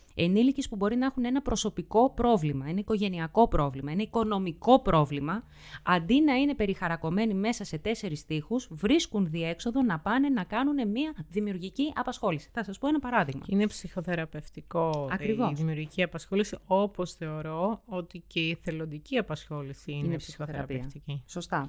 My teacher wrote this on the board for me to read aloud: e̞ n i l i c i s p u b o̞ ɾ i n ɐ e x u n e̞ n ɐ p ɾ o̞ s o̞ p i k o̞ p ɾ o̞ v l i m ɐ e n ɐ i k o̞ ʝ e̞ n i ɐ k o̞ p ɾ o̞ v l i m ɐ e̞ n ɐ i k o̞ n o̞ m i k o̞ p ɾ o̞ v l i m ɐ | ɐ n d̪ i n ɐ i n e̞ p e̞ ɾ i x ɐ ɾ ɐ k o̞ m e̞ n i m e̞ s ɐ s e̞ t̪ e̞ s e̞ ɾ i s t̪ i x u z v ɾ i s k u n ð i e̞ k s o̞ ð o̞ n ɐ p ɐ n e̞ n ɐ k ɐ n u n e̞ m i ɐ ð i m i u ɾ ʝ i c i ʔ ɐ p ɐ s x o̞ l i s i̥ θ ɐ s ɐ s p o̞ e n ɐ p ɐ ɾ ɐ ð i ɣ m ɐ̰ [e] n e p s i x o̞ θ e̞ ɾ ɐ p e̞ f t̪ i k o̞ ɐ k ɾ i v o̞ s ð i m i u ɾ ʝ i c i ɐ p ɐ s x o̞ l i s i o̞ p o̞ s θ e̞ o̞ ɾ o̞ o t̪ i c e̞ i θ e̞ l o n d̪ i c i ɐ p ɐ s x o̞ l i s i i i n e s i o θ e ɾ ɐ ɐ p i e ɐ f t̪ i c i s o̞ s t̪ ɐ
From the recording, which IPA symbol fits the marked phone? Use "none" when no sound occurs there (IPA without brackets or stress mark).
i